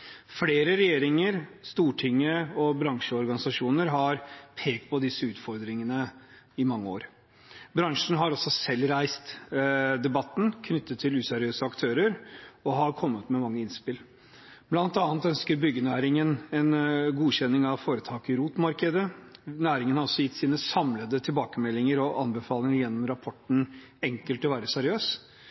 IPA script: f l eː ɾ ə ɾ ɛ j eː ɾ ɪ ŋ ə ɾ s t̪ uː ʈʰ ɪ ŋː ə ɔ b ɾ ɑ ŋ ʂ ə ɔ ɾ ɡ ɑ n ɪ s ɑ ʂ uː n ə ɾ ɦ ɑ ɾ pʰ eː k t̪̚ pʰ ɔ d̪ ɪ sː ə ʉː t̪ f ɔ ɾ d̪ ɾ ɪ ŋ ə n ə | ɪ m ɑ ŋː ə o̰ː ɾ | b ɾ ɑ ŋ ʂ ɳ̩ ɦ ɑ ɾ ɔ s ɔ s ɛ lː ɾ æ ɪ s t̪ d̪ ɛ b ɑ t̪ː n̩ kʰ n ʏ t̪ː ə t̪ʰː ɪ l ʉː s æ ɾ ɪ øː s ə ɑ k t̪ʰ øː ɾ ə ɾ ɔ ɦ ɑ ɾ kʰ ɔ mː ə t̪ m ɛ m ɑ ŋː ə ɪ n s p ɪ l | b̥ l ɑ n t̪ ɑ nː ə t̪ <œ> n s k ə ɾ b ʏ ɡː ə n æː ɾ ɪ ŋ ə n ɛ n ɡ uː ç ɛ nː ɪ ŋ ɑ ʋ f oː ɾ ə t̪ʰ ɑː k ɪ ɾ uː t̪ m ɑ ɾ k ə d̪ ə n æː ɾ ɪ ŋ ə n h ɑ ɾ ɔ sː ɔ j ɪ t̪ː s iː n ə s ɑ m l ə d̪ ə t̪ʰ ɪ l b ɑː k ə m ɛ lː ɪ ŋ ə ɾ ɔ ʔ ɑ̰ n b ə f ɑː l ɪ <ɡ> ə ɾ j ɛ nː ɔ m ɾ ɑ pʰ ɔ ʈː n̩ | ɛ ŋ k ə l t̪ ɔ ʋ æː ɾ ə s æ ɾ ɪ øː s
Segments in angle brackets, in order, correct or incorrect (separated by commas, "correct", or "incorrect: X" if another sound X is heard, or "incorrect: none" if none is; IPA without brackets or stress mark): correct, incorrect: ŋ